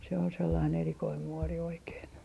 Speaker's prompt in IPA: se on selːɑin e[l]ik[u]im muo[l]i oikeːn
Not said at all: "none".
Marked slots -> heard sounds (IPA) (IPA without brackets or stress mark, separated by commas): r, o, r